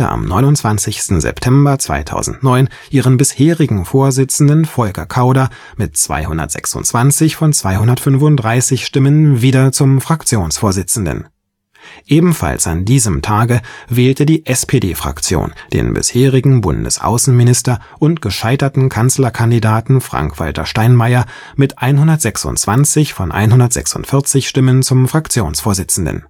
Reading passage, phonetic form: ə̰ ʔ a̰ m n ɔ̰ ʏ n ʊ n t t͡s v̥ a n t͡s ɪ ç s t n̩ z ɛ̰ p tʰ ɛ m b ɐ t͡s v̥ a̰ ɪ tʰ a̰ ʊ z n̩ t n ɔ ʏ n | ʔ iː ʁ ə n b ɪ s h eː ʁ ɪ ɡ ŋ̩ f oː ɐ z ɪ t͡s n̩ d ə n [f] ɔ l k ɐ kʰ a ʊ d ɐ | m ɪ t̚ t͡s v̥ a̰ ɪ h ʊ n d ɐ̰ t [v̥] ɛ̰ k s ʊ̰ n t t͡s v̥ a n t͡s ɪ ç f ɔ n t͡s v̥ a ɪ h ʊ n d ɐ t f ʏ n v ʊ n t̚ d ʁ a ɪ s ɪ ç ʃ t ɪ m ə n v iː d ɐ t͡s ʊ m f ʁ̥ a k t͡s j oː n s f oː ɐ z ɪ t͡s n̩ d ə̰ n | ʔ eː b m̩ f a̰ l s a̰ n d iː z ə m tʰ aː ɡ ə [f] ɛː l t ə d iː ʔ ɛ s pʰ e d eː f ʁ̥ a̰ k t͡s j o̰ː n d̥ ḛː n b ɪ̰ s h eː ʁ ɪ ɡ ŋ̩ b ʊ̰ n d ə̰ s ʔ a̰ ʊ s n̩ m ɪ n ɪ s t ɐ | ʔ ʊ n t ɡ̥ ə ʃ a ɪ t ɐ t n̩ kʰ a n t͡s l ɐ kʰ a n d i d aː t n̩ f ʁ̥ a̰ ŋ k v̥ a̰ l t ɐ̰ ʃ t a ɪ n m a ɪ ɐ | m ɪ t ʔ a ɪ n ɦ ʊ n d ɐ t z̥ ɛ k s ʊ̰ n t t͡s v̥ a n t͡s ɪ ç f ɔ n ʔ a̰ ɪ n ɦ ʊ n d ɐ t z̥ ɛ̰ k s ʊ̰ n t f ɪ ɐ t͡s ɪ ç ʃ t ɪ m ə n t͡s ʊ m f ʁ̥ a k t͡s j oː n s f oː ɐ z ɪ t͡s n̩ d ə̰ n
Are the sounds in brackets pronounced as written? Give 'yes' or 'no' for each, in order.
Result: yes, no, no

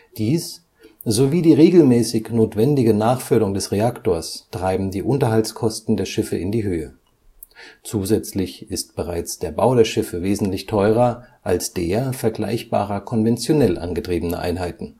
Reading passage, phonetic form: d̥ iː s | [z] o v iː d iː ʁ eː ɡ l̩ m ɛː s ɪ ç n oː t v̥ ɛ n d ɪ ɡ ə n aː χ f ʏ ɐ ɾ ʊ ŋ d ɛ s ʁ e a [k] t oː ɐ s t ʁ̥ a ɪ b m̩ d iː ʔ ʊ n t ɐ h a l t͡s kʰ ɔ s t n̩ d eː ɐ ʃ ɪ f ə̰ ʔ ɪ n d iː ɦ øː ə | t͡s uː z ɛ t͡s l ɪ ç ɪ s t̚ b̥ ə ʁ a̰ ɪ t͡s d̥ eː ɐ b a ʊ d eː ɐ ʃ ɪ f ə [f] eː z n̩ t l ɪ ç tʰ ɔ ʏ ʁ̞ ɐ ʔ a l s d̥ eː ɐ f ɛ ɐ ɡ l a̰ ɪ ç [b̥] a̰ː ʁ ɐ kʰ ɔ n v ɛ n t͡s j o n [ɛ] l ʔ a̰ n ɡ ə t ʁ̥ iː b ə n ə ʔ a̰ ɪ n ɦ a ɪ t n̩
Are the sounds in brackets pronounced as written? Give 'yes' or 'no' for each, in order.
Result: yes, yes, no, yes, yes

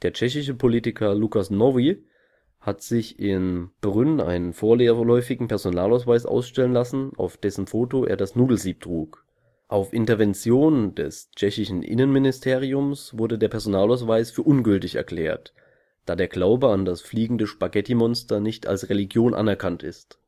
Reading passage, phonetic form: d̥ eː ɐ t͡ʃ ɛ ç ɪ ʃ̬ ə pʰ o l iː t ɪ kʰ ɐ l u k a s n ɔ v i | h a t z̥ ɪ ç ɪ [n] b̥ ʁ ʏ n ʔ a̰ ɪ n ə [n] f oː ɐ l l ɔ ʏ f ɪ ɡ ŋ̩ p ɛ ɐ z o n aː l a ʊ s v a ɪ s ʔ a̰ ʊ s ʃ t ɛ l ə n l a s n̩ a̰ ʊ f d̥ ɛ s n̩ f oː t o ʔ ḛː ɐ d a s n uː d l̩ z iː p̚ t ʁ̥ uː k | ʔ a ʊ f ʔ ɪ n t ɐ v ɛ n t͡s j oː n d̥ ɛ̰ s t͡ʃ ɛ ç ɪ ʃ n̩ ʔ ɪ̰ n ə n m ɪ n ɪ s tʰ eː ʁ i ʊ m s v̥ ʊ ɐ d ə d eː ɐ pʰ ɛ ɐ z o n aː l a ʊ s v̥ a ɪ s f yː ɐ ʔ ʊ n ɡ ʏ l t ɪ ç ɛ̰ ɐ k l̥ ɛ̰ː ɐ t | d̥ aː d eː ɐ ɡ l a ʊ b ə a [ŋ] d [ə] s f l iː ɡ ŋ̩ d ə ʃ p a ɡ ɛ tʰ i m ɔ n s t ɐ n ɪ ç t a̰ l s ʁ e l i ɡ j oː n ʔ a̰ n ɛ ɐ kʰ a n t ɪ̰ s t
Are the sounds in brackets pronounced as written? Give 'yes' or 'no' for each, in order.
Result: yes, yes, no, no

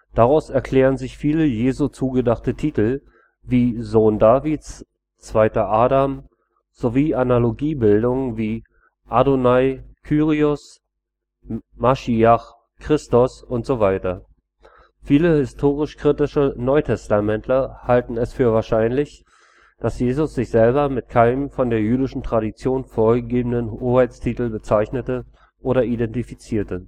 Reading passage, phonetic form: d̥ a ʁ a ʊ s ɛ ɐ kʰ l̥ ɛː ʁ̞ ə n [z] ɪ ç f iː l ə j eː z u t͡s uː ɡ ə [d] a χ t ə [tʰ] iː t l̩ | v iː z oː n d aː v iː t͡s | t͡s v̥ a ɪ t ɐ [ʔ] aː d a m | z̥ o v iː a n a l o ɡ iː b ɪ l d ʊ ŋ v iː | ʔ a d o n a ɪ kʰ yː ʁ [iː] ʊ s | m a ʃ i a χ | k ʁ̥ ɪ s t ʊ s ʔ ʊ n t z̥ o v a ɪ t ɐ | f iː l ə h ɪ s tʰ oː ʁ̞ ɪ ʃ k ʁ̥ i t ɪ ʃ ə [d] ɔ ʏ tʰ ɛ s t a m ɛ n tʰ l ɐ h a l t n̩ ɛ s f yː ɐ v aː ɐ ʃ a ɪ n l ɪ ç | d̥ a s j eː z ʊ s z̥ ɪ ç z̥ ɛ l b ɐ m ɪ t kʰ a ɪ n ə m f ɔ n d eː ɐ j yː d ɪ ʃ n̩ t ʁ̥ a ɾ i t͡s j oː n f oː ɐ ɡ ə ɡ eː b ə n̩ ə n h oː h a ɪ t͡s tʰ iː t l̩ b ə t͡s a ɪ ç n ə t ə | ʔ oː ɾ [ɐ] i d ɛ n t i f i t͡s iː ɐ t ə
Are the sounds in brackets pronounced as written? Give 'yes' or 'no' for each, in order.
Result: yes, yes, yes, yes, no, no, yes

